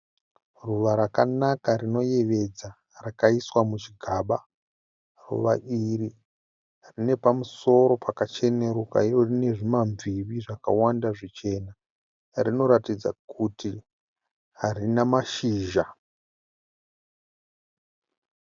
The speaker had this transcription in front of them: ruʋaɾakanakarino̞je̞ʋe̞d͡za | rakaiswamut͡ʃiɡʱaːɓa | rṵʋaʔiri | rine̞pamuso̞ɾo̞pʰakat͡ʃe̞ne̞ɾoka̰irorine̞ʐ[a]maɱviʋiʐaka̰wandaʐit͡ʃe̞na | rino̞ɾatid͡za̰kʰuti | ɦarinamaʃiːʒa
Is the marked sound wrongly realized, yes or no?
yes